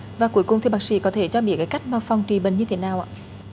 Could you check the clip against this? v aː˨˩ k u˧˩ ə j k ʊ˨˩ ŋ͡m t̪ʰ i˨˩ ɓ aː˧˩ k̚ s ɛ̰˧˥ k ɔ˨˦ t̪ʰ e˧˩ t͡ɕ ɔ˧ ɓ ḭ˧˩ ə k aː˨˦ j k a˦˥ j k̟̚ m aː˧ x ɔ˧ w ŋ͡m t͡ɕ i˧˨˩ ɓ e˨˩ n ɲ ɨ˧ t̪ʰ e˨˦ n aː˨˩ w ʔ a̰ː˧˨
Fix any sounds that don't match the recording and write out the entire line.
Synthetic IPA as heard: v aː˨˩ k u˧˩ ə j k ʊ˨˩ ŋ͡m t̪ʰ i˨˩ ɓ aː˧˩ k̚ s ḭ˧˥ k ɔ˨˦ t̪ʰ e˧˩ t͡ɕ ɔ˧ ɓ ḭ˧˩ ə k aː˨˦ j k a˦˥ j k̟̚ m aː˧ f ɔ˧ w ŋ͡m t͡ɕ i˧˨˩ ɓ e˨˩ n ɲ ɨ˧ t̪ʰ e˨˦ n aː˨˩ w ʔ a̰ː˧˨